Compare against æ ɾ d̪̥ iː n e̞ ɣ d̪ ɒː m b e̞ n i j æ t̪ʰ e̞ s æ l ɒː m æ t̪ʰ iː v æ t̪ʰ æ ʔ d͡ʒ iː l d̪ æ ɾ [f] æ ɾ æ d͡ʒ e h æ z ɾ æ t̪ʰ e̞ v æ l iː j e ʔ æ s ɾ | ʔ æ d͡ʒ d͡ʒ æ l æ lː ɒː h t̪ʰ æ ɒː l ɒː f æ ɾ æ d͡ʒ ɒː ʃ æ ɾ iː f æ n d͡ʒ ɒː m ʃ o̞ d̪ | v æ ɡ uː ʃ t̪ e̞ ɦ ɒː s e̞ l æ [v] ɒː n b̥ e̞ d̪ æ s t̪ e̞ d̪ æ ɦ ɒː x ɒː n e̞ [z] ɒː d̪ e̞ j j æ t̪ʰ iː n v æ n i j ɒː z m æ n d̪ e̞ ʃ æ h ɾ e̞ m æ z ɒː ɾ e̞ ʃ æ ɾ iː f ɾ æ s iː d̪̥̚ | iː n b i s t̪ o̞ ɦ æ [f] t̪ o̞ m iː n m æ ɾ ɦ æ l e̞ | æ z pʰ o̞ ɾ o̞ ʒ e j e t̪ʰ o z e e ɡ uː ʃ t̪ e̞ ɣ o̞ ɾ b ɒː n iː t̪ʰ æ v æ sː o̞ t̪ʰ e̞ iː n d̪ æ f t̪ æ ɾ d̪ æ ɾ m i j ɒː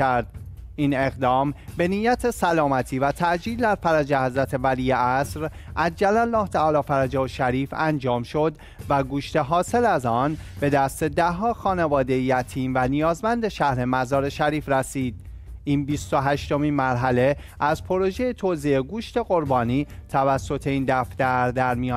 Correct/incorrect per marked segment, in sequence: correct, incorrect: z, incorrect: v, incorrect: ʃ

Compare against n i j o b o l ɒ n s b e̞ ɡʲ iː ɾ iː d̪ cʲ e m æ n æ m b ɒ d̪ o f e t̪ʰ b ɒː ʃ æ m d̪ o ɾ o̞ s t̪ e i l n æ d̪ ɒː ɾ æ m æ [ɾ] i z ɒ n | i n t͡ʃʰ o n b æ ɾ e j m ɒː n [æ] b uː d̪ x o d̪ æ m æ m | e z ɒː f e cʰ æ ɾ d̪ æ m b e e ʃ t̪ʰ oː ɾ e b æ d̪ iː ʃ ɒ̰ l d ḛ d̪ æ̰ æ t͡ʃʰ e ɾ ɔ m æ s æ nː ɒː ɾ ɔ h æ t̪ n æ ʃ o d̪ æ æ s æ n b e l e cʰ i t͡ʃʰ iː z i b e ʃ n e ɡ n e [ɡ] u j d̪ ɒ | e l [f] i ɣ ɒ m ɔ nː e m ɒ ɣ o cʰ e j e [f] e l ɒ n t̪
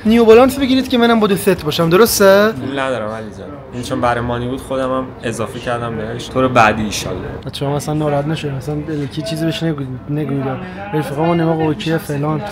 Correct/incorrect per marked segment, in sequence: incorrect: l, incorrect: i, correct, correct, correct

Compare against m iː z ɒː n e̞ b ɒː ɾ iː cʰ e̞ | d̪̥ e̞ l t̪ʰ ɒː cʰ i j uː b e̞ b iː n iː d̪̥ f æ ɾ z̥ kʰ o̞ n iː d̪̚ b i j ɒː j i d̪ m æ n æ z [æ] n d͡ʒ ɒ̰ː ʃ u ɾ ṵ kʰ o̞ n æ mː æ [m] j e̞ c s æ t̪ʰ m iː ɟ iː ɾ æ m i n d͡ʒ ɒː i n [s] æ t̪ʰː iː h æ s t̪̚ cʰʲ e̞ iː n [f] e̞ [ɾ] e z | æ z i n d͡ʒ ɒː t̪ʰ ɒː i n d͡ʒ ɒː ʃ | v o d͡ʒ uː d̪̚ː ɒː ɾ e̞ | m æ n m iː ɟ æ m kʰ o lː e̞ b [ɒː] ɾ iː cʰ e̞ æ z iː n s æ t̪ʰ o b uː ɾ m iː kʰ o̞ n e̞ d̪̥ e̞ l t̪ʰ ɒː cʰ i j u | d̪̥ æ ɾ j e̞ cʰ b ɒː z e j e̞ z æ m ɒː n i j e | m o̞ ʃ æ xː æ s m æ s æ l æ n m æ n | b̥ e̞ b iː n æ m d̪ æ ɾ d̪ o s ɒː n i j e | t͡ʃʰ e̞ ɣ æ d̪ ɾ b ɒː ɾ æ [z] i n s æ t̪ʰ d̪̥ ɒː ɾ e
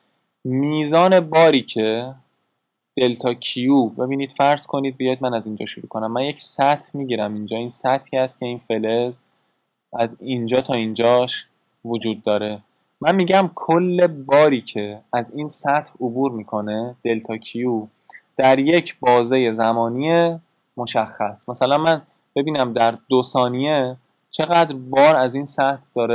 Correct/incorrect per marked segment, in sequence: incorrect: i, incorrect: n, correct, correct, incorrect: l, correct, correct

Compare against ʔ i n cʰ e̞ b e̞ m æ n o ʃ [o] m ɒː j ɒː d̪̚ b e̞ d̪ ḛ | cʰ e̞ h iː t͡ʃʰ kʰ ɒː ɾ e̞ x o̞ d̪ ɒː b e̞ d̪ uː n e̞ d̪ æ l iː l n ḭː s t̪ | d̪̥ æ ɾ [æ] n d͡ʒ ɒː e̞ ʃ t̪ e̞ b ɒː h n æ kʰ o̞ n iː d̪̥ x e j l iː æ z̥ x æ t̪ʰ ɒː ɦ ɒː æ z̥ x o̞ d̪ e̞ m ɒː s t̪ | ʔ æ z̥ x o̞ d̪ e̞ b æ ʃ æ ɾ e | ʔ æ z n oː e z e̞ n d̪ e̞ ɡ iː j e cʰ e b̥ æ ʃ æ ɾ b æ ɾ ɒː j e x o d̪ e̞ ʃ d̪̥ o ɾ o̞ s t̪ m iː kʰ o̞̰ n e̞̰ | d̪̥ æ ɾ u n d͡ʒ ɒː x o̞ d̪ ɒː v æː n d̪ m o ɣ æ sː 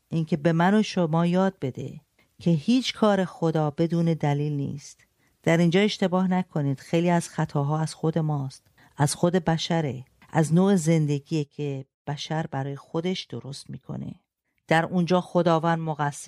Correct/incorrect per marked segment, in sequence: correct, incorrect: i

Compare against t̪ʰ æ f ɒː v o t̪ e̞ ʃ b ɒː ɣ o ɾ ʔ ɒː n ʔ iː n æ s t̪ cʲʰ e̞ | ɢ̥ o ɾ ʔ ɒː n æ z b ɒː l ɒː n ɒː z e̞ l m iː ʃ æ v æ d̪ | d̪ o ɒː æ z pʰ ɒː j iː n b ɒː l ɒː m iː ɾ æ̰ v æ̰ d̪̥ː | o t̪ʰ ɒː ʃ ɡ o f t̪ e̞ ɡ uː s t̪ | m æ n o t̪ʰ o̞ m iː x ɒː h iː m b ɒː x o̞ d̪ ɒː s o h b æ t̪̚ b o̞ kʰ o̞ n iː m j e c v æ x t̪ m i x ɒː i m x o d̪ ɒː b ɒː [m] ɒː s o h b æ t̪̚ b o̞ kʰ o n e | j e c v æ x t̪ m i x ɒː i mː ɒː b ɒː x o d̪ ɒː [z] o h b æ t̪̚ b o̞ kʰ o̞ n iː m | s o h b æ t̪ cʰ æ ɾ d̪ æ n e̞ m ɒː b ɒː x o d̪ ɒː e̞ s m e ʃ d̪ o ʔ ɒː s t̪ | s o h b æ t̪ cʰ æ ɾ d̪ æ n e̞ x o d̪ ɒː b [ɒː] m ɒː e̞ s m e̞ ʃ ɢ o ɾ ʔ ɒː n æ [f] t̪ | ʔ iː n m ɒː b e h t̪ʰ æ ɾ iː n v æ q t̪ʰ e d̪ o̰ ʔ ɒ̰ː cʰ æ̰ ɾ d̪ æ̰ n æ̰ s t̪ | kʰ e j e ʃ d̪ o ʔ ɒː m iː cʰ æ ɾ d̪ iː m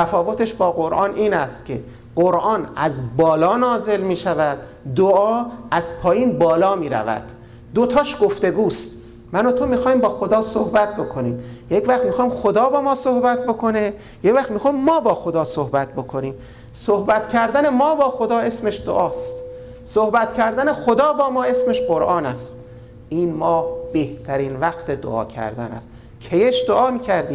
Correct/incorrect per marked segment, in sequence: correct, incorrect: s, correct, incorrect: s

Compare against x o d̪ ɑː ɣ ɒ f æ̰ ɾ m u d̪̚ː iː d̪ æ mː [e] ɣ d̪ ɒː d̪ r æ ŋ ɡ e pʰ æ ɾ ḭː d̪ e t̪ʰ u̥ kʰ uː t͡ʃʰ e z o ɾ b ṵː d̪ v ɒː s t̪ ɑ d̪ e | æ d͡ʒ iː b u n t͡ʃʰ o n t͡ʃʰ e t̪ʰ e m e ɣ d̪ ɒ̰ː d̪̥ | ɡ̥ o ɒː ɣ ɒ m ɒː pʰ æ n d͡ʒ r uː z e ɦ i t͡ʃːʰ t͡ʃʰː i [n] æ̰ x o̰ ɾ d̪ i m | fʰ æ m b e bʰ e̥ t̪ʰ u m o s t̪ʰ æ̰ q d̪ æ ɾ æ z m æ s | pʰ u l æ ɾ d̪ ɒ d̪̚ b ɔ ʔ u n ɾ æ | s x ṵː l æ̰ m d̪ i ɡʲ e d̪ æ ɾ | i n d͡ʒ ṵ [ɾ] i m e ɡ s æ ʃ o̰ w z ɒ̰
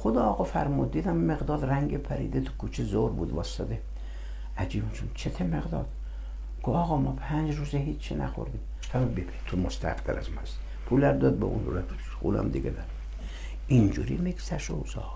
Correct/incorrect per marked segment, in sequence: correct, correct, correct

